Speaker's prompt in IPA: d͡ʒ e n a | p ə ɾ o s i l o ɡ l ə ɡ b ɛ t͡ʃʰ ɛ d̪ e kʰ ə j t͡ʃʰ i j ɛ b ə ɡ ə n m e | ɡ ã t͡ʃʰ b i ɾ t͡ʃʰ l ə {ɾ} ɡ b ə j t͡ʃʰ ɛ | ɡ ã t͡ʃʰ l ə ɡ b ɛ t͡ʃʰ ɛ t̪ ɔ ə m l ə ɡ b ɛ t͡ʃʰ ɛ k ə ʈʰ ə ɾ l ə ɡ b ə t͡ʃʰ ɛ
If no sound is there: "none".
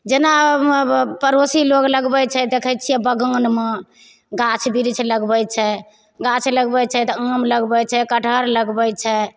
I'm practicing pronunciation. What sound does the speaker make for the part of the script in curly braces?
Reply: none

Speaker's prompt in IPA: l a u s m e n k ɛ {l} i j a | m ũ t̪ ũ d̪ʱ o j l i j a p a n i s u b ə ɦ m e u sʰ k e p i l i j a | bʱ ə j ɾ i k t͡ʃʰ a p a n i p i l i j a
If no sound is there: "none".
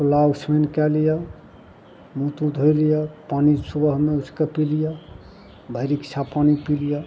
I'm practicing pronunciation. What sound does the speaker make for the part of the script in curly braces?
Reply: l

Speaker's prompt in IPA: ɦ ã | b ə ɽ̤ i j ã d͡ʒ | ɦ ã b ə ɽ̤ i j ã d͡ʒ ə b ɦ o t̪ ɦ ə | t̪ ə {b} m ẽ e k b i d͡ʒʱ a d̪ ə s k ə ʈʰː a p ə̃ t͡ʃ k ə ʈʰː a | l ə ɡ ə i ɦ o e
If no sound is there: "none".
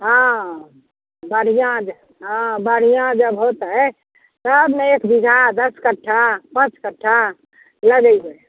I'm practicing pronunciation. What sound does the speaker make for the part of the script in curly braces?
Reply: b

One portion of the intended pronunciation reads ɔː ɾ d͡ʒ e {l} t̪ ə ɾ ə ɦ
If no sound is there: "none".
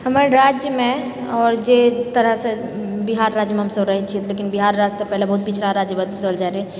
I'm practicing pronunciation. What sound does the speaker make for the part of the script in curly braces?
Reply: none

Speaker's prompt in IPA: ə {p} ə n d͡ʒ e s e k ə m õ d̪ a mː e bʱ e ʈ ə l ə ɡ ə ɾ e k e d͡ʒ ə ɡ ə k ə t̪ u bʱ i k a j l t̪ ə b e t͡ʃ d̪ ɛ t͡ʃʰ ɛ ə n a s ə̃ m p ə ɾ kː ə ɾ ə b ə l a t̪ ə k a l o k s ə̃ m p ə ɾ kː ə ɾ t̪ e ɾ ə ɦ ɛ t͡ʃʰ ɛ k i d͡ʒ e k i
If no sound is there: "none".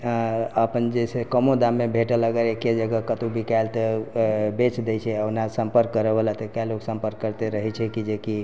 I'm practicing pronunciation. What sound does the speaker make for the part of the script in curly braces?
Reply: p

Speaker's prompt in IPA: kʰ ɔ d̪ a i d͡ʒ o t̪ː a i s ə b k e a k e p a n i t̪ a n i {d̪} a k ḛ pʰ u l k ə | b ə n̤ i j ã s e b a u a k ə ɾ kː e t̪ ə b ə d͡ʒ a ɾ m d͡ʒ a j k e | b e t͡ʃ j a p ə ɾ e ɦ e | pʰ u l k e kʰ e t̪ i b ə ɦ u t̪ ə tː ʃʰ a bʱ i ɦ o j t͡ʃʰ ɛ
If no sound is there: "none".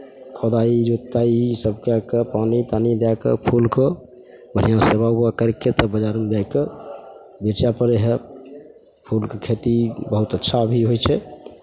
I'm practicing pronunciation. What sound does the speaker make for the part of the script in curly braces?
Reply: d̪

